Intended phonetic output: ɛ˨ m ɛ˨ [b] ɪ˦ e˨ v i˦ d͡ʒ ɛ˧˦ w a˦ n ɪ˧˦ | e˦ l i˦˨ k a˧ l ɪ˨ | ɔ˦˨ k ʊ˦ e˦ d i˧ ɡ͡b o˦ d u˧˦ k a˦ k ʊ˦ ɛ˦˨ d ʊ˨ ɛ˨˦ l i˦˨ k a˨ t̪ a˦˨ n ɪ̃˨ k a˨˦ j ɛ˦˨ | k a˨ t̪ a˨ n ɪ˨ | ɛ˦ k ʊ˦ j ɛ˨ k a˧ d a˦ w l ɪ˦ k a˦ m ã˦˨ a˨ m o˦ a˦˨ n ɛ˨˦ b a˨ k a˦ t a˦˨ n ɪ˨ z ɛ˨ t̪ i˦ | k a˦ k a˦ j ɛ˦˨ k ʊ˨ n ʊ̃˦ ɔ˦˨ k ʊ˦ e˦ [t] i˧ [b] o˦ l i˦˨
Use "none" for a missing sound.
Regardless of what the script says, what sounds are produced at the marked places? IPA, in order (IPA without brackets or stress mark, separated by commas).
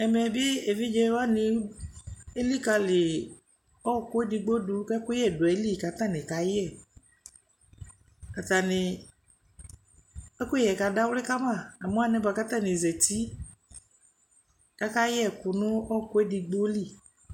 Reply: b, d, ɡ͡b